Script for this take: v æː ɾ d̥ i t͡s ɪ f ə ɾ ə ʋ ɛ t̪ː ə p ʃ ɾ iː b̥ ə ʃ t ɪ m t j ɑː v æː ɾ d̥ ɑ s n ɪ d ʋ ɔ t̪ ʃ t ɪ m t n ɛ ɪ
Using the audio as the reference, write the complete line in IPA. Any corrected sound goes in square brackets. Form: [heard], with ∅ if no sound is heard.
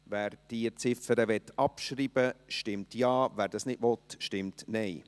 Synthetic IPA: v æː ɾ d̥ i t͡s ɪ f ə ɾ ə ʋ ɛ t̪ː [ɑ] p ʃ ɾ iː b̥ ə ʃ t ɪ m t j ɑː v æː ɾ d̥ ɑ s n ɪ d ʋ ɔ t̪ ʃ t ɪ m t n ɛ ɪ